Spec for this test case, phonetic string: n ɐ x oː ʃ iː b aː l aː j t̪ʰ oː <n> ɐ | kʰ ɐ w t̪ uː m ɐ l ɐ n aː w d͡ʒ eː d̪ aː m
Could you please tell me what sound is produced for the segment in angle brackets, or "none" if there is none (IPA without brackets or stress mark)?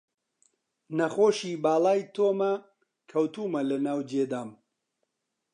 m